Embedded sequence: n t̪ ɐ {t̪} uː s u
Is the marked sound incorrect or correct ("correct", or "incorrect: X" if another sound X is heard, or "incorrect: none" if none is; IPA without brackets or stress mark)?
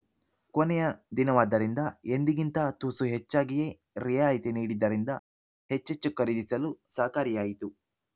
correct